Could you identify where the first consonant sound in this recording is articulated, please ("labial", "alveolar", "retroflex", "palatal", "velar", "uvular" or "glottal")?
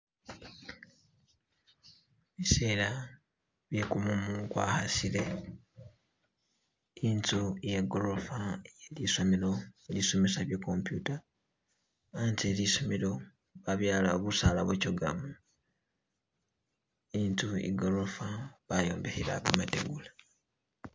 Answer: labial